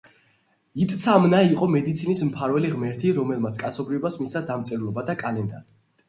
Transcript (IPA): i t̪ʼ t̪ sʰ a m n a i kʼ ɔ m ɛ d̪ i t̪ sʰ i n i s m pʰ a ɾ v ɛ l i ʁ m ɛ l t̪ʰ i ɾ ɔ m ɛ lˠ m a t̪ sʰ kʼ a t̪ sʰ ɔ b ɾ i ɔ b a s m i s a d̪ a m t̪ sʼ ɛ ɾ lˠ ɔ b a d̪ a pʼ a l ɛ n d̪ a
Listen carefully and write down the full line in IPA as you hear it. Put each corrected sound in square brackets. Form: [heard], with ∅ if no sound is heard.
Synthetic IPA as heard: i t̪ʼ t̪ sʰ a m n a i [qʼ] ɔ m ɛ d̪ i t̪ sʰ i n i s m pʰ a ɾ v ɛ l i ʁ m ɛ [ɾ] t̪ʰ i ɾ ɔ m ɛ lˠ m a t̪ sʰ kʼ a t̪ sʰ ɔ b ɾ i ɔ b a s m i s a d̪ a m t̪ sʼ ɛ ɾ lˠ ɔ b a d̪ a [kʼ] a l ɛ n d̪ a